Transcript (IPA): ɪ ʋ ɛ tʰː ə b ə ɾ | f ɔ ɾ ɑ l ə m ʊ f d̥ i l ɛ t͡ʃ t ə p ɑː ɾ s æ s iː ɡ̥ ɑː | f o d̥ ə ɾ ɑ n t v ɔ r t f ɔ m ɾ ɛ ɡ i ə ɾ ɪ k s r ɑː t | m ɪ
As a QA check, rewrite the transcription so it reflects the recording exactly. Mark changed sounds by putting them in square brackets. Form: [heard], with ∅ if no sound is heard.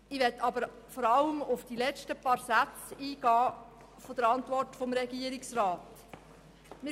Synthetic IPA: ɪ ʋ ɛ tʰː [ɑ] b ə ɾ | f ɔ ɾ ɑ l ə m ʊ f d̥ i l ɛ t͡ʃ t ə p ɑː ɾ s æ [t͡s] iː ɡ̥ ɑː | f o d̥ ə ɾ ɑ n t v ɔ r t f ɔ m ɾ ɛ ɡ i ə ɾ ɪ k s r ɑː t | m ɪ

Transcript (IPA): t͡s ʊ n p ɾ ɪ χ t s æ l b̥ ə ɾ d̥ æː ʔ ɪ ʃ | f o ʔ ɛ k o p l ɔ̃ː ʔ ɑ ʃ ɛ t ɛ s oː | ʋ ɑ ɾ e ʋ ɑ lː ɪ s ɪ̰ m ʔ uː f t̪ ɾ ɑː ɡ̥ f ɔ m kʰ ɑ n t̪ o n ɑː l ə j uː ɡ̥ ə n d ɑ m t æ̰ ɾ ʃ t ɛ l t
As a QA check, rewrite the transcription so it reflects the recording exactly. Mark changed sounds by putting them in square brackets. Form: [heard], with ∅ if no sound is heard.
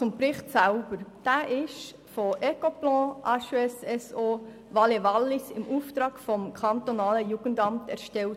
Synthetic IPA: t͡s ʊ [m] p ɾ ɪ χ t s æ l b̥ ə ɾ d̥ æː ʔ ɪ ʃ | f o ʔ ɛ k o p l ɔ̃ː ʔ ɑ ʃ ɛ [s] ɛ s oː | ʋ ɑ [l] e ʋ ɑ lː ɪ s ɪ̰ m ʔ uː f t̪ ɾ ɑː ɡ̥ f ɔ m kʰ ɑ n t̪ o n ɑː l ə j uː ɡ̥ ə n d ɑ m t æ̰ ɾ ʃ t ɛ l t

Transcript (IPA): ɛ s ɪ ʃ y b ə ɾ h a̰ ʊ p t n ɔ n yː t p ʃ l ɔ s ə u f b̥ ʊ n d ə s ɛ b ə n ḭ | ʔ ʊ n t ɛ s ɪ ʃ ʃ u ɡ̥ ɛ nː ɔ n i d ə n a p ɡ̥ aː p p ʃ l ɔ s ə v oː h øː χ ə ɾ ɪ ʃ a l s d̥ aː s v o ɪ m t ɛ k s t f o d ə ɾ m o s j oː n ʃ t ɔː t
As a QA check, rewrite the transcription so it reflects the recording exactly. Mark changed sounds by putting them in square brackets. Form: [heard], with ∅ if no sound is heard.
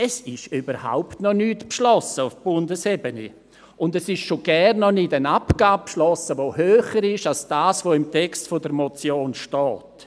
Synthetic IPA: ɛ s ɪ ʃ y b ə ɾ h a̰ ʊ p t n ɔ n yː t p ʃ l ɔ s ə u f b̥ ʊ n d ə s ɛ b ə n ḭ | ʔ ʊ n [d] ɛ s ɪ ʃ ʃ [o] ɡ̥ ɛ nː ɔ n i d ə n a p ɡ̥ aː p p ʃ l ɔ s ə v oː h øː χ ə ɾ ɪ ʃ a l s d̥ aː s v o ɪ m t ɛ k s t f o d ə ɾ m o [t͡s] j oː n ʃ t ɔː t

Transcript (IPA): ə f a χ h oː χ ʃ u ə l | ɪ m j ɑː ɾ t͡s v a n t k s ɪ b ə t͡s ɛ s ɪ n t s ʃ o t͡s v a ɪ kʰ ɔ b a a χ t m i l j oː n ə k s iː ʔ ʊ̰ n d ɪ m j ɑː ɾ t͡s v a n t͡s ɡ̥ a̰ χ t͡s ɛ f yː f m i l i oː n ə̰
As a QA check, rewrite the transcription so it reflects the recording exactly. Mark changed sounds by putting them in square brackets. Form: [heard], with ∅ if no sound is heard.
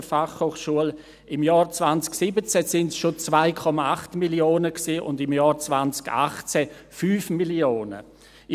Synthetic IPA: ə f a χ h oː χ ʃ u ə l | ɪ m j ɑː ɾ t͡s v a n [t͡s] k s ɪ b ə t͡s ɛ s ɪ n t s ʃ o t͡s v a ɪ kʰ ɔ [m] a a χ t m i l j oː n ə k s iː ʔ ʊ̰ n d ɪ m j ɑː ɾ t͡s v a n t͡s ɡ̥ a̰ χ t͡s ɛ f yː f m i l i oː n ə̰

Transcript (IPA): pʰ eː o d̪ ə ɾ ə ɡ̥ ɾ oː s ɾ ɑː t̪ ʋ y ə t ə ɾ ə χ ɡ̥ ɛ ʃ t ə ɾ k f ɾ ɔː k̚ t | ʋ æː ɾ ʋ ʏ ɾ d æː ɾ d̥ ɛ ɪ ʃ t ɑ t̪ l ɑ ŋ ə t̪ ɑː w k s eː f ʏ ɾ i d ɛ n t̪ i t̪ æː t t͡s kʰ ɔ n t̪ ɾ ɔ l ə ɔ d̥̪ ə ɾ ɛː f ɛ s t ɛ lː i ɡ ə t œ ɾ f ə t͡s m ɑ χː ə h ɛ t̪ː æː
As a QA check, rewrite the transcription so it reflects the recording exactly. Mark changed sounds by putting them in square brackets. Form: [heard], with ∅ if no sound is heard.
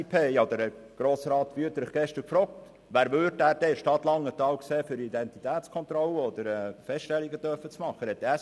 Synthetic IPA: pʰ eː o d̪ ə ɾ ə ɡ̥ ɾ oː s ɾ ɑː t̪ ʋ y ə t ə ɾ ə χ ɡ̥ ɛ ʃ t ə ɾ k f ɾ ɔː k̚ t | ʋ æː ɾ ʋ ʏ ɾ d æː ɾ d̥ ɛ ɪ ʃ t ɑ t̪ l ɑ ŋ ə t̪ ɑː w k s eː f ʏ ɾ i d ɛ n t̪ i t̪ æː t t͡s kʰ ɔ n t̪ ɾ ɔ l ə ɔ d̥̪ ə ɾ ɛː f ɛ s t ɛ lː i ɡ ə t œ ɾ f ə t͡s m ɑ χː ə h ɛ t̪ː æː

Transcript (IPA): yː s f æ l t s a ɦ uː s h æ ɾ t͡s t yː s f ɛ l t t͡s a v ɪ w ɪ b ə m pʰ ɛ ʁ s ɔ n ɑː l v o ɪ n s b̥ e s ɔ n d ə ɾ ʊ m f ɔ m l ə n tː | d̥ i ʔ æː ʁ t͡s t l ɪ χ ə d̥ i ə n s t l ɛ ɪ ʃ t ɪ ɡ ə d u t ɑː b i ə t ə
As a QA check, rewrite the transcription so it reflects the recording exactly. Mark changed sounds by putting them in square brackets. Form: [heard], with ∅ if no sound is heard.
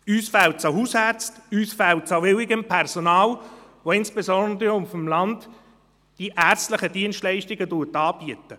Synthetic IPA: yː s f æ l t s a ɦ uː s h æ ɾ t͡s t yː s f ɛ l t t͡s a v ɪ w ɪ [ɡ] ə m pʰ ɛ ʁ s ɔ n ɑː l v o ɪ n s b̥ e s ɔ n d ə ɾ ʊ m f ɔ m l [ɑ] n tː | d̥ i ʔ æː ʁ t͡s t l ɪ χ ə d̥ i ə n s t l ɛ ɪ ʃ t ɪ ɡ ə d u t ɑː b i ə t ə

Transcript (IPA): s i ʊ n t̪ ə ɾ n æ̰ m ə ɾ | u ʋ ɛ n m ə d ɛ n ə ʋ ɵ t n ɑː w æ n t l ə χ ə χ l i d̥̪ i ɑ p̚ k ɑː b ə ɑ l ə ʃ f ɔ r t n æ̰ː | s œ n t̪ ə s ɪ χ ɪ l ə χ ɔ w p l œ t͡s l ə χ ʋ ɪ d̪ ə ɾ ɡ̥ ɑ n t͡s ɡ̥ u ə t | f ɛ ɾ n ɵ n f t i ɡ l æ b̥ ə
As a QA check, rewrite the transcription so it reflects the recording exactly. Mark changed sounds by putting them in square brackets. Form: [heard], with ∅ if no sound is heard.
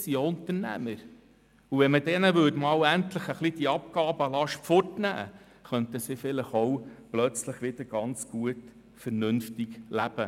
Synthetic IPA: s i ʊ n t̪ ə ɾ n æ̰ m ə ɾ | u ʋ ɛ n m ə d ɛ n ə ʋ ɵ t [m] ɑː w æ n t l ə χ ə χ l i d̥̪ i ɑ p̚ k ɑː b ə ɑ l [ɑ] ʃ f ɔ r t n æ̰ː | [χ] œ n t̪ ə s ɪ [f] ɪ l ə χ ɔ w p l œ t͡s l ə χ ʋ ɪ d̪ ə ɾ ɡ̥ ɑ n t͡s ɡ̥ u ə t | f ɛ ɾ n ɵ n f t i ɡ l æ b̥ ə

